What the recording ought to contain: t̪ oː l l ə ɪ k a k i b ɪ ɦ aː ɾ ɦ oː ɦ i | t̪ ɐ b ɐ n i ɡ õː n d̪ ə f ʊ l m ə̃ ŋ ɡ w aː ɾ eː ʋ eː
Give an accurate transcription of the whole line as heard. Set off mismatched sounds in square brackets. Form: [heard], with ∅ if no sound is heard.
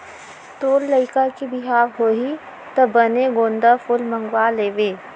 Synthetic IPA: t̪ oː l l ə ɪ k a k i b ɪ ɦ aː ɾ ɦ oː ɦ i | t̪ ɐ b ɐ n [e] ɡ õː n d̪ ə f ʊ l m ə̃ ŋ ɡ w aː [l] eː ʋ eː